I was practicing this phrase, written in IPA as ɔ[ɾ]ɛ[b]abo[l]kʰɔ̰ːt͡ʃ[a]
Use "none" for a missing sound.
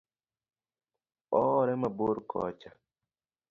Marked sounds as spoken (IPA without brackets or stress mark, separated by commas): ɾ, m, ɾ, a